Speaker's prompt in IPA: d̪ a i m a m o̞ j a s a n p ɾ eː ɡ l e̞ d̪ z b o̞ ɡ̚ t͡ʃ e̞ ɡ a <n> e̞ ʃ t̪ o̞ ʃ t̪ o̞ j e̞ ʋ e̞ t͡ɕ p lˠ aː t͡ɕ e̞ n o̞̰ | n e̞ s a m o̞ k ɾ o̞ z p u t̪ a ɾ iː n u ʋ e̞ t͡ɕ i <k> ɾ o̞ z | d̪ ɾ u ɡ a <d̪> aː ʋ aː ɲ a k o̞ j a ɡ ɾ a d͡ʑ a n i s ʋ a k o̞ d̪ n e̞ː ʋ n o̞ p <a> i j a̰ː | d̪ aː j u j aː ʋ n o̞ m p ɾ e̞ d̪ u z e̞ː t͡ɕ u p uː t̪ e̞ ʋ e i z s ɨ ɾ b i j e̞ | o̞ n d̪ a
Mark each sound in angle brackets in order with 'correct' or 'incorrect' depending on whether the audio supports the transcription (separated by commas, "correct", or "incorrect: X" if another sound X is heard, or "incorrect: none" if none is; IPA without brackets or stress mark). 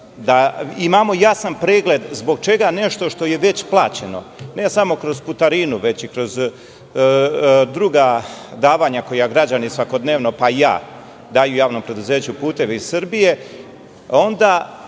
correct, correct, correct, correct